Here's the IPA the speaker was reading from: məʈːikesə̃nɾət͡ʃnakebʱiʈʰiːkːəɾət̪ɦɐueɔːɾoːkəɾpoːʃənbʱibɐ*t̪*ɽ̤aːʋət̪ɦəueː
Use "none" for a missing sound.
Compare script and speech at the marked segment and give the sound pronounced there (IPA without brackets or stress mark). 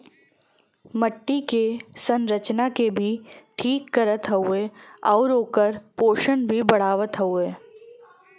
none